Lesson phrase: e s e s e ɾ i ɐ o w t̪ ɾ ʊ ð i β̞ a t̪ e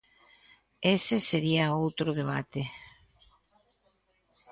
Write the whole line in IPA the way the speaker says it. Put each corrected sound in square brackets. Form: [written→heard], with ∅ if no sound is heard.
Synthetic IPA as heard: e s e s e ɾ i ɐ o w t̪ ɾ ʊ ð [i→e] β̞ a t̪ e